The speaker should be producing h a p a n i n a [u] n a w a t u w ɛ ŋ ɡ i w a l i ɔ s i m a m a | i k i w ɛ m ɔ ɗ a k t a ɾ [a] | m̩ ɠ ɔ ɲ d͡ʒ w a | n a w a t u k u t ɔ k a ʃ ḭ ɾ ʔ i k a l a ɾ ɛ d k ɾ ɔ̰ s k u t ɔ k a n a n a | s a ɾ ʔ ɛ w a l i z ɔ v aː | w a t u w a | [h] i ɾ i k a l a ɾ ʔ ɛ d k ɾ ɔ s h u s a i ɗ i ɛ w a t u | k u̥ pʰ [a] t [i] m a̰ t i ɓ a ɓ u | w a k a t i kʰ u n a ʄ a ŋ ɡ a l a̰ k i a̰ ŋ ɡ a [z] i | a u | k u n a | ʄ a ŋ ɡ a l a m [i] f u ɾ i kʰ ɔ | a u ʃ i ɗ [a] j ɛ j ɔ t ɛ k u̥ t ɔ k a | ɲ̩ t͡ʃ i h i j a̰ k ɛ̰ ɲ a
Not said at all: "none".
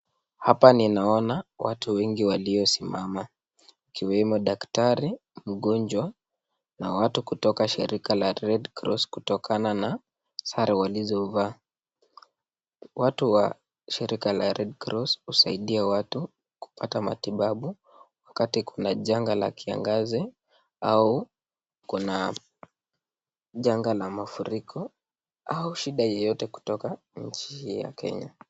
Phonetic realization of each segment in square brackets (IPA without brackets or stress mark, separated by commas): ɔ, i, ʃ, a, a, z, a, a